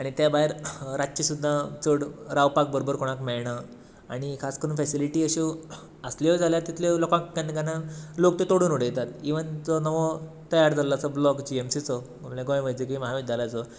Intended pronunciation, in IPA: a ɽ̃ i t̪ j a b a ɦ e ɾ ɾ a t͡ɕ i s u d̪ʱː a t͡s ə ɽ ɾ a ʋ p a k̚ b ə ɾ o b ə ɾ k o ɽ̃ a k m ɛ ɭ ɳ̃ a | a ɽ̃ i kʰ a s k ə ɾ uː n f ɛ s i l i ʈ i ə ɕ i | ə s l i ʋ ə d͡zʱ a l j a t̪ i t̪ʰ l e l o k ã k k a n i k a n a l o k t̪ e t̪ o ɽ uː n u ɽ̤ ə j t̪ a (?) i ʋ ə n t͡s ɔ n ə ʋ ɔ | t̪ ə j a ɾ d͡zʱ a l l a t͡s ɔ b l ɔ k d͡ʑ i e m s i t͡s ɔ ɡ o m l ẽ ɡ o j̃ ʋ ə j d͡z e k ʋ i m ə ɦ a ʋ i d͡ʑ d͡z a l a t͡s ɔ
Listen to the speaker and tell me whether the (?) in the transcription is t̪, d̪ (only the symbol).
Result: t̪